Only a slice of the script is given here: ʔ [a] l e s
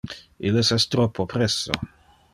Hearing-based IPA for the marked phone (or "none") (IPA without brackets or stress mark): i